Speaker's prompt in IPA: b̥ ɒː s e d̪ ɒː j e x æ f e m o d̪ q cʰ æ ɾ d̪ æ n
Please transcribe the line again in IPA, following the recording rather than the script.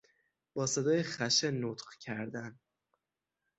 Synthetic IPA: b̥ ɒː s e d̪ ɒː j e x æ ʃ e n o t̪ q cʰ æ ɾ d̪ æ n